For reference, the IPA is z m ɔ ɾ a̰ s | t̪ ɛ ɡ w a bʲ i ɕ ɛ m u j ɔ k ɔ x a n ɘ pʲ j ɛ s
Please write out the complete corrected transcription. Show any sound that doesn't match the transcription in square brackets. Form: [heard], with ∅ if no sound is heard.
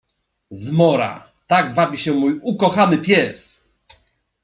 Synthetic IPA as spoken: z m ɔ ɾ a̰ [∅] | t̪ [a] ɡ [v] a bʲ i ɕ ɛ m u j [u] k ɔ x a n ɘ pʲ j ɛ s